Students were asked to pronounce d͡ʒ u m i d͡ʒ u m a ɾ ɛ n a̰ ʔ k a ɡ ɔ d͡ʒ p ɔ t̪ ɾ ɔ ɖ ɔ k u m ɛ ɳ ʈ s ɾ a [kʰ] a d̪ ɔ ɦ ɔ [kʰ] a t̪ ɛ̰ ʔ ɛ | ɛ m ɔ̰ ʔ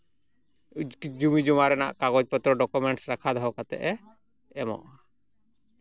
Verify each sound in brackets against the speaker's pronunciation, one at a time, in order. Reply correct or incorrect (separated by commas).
correct, incorrect